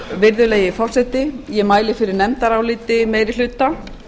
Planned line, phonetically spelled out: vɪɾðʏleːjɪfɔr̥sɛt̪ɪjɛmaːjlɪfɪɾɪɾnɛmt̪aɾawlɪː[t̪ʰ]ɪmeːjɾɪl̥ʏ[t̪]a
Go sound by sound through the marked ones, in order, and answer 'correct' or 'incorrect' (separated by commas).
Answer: incorrect, correct